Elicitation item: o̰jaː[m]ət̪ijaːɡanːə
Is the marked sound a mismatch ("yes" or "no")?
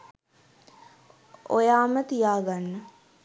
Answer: no